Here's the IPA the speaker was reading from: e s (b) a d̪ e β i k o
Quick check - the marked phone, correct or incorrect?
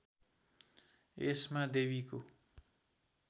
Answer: incorrect